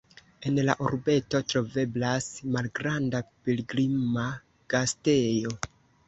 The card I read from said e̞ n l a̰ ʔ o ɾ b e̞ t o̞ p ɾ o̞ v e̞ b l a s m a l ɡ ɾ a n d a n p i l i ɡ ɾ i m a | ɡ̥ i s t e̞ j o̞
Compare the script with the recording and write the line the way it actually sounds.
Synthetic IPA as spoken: e̞ n l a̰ ʔ o ɾ b e̞ t o̞ t ɾ o̞ v e̞ b l a s m a l ɡ ɾ a n d a p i l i ɡ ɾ i m a | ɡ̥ a s t e̞ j o̞